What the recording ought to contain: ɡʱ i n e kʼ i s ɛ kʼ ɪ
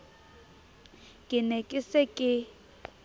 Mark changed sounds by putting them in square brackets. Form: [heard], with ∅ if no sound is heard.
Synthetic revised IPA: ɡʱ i n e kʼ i s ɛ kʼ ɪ